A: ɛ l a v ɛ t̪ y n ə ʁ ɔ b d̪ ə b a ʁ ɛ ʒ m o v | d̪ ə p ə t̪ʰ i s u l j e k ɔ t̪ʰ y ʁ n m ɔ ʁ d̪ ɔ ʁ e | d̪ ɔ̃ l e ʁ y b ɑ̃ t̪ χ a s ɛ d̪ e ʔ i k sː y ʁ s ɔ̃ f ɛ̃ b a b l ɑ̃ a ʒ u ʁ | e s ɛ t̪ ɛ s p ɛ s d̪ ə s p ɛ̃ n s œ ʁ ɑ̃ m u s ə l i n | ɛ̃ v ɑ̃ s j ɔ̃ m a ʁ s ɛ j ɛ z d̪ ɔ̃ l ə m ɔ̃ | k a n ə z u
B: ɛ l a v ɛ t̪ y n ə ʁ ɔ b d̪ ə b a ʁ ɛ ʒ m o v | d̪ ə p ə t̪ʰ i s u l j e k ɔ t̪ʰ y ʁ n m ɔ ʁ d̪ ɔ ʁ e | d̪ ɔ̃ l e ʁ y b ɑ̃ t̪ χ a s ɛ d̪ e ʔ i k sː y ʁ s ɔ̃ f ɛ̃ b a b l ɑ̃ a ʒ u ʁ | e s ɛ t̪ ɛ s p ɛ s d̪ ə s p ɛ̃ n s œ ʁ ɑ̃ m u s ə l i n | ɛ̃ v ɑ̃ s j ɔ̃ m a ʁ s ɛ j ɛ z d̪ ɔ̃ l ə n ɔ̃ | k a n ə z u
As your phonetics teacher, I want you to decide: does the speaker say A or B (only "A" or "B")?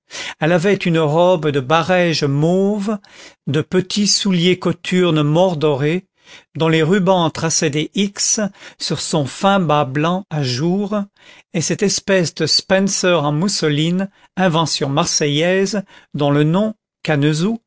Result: B